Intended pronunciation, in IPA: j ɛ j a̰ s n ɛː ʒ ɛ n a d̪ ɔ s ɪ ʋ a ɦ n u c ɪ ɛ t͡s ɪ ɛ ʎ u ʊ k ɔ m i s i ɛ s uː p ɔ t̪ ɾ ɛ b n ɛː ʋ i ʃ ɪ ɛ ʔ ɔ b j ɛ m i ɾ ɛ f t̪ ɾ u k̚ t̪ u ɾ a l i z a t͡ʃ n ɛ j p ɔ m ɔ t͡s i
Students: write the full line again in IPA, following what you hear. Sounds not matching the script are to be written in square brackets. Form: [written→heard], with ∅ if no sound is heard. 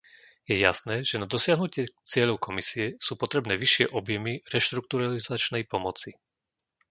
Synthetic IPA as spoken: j ɛ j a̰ s n ɛː ʒ ɛ n a d̪ ɔ s ɪ [ʋ→∅] a ɦ n u c ɪ ɛ t͡s ɪ ɛ ʎ [u→ɔ] ʊ k ɔ m i s i ɛ s uː p ɔ t̪ ɾ ɛ b n ɛː ʋ i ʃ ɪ ɛ ʔ ɔ b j ɛ m i ɾ ɛ [f→ʃ] t̪ ɾ u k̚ t̪ u ɾ a l i z a t͡ʃ n ɛ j p ɔ m ɔ t͡s i